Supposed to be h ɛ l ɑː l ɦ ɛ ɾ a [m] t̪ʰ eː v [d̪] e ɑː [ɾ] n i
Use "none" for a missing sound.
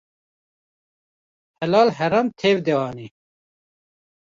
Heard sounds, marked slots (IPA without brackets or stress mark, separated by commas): m, d̪, none